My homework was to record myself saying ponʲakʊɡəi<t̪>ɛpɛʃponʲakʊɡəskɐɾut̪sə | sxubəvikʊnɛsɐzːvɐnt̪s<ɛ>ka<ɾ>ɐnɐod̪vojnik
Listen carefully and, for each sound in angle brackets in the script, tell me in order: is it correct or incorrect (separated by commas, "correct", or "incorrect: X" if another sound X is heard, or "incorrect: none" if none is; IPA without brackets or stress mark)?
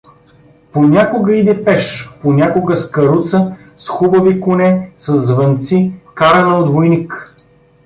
incorrect: d̪, incorrect: i, correct